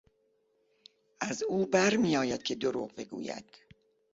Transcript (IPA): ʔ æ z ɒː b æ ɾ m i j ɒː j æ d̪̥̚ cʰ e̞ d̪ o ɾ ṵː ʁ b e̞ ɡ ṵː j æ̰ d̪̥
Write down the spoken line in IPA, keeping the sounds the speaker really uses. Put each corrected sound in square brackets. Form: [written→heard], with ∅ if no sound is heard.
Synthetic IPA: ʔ æ z [ɒː→uː] b æ ɾ m i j ɒː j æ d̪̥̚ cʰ e̞ d̪ o ɾ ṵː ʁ b e̞ ɡ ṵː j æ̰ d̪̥